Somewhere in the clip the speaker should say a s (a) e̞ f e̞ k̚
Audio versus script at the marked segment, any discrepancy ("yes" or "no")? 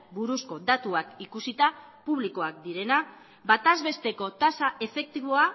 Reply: no